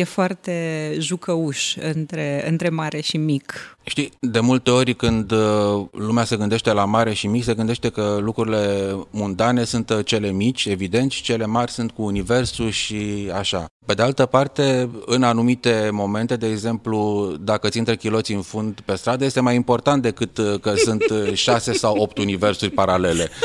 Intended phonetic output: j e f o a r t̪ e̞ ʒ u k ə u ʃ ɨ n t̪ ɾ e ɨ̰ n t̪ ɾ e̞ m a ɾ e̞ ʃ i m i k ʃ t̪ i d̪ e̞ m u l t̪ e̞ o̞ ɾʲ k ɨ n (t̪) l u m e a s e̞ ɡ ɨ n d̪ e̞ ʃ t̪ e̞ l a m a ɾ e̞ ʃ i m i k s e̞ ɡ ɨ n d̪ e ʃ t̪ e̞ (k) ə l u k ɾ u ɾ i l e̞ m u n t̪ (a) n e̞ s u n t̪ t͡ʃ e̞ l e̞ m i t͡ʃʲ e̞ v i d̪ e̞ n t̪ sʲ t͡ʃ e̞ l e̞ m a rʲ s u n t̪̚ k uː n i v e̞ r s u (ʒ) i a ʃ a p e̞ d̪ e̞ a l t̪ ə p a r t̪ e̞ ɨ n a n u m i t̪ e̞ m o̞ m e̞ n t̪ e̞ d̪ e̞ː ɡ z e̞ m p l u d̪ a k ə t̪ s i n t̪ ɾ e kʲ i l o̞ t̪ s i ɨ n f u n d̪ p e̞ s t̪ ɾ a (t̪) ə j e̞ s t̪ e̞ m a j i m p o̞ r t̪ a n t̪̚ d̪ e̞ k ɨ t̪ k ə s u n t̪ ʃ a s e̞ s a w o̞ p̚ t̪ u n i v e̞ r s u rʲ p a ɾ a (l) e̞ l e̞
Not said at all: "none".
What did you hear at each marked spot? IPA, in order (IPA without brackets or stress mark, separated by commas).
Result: d̪, k, a, ʃ, d̪, l